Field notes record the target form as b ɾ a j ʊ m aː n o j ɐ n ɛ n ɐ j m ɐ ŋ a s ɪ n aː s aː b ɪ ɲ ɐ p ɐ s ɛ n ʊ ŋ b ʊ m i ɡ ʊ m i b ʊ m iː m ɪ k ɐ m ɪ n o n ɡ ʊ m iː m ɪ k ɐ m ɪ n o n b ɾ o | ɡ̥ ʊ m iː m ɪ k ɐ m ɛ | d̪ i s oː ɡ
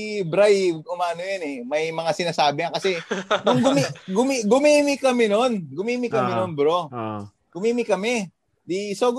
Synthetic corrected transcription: b ɾ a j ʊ m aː n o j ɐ n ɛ m ɐ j m ɐ ŋ a s ɪ n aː s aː b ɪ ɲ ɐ k ɐ s ɛ n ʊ ŋ ɡ ʊ m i ɡ ʊ m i ɡ ʊ m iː m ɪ k ɐ m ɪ n o n ɡ ʊ m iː m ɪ k ɐ m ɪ n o n b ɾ o | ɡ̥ ʊ m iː m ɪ k ɐ m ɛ | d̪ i s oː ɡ